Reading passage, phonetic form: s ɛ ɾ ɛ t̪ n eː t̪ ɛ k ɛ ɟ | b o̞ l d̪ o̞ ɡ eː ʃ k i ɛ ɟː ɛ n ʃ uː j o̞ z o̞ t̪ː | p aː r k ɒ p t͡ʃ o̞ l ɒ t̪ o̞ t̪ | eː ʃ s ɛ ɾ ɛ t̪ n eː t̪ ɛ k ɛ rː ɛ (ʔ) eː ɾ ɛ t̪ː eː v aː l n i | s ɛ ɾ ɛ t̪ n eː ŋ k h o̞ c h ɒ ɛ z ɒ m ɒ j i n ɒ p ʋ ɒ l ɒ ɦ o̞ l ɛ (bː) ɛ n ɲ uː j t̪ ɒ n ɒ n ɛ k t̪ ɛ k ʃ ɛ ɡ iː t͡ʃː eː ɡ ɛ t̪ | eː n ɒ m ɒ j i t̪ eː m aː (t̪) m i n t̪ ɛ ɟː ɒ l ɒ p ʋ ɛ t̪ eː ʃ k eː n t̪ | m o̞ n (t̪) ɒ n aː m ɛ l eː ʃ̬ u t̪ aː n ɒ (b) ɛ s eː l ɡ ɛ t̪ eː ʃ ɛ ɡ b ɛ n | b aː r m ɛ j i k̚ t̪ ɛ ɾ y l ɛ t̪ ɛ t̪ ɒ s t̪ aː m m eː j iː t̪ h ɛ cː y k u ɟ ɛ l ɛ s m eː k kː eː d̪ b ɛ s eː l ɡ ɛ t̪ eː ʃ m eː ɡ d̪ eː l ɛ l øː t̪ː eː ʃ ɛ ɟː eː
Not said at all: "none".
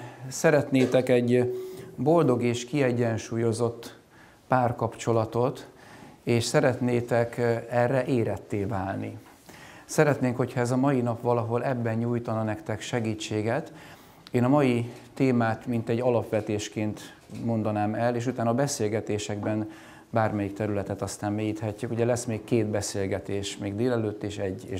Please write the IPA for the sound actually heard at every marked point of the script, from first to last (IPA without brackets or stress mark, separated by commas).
ʔ, bː, t̪, d̪, b